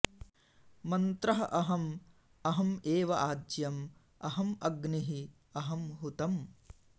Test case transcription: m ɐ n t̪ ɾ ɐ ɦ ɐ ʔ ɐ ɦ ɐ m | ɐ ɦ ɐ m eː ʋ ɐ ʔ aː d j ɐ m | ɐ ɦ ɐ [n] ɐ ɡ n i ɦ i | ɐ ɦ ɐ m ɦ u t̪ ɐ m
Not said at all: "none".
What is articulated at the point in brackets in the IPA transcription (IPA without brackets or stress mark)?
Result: m